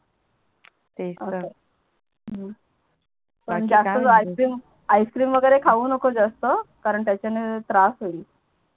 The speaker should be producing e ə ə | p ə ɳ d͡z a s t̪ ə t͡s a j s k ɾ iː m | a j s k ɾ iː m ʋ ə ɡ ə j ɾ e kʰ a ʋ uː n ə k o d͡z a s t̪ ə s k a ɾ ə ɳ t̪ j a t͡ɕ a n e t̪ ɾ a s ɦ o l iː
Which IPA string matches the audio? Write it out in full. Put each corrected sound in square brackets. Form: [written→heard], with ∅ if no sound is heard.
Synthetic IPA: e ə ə | p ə ɳ d͡z a s t̪ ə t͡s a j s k ɾ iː m | a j s k ɾ iː m ʋ ə ɡ ə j ɾ e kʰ a ʋ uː n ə k o d͡z a s t̪ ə [s→∅] k a ɾ ə ɳ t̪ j a t͡ɕ a n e t̪ ɾ a s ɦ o l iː